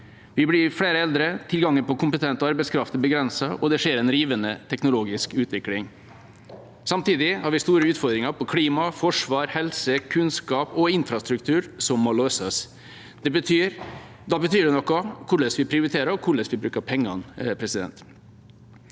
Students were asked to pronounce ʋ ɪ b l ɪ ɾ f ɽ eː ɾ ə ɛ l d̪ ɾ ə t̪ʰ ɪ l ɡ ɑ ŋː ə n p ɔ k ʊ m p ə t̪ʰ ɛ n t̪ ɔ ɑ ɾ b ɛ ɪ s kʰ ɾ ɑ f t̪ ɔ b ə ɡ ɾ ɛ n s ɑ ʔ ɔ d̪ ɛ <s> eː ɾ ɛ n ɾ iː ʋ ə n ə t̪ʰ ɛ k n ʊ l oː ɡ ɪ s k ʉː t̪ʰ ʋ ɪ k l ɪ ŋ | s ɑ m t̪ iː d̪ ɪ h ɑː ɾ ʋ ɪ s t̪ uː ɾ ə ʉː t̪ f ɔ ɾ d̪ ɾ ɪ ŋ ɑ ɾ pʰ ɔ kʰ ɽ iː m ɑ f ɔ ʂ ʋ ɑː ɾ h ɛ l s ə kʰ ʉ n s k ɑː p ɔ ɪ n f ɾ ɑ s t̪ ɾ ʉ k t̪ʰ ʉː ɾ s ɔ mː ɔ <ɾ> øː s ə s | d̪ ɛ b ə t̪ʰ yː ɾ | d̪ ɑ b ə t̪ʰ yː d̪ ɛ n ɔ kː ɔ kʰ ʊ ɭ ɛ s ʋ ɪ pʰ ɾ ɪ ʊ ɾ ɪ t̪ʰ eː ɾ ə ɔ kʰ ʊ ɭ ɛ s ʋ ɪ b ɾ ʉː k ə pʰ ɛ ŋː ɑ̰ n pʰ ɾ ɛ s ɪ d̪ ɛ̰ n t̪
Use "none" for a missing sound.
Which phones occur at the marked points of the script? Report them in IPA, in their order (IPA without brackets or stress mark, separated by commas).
ʂ, l